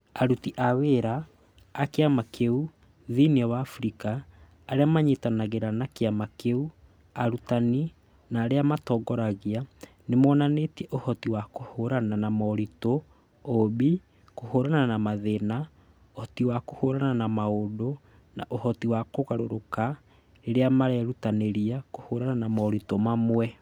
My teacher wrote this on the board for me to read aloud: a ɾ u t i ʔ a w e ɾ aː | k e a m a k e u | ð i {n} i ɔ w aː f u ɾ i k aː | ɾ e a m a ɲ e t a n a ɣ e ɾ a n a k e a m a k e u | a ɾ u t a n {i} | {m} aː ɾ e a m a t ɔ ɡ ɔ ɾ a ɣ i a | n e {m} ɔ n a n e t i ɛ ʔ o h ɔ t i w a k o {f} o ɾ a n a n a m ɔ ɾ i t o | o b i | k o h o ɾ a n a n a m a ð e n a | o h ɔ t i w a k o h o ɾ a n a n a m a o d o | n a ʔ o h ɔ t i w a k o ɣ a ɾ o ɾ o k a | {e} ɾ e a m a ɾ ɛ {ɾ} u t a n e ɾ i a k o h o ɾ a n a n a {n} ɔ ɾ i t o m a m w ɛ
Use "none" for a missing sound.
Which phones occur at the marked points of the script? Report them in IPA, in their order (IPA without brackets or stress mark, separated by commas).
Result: n, i, n, m, h, e, ɾ, m